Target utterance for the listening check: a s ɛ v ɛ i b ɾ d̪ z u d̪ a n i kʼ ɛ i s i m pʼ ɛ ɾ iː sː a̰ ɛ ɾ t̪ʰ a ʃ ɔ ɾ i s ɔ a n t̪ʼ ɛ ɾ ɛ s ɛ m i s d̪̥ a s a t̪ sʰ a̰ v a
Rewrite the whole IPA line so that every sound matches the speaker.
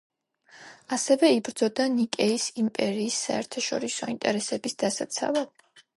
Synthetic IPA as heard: a s ɛ v ɛ i b ɾ d̪ z ɔ d̪ a n i kʼ ɛ i s i m pʼ ɛ ɾ iː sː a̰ ɛ ɾ t̪ʰ a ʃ ɔ ɾ i s ɔ i n t̪ʼ ɛ ɾ ɛ s ɛ b i s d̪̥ a s a t̪ sʰ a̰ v a